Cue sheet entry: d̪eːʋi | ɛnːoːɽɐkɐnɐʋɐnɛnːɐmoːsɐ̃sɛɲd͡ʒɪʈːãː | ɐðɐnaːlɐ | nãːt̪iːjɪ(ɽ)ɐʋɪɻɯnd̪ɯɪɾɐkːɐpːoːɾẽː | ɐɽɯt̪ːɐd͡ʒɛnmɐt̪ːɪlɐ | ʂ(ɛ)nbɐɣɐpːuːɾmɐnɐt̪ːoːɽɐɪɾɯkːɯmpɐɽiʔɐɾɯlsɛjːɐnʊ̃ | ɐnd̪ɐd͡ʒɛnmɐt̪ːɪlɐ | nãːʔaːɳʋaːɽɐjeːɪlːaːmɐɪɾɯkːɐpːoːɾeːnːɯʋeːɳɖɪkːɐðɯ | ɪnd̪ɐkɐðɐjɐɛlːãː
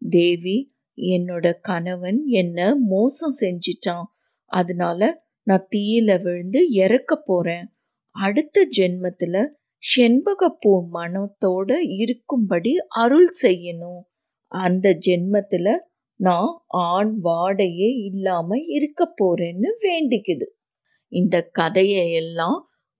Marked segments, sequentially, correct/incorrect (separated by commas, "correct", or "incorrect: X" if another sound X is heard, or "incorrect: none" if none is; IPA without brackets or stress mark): incorrect: l, correct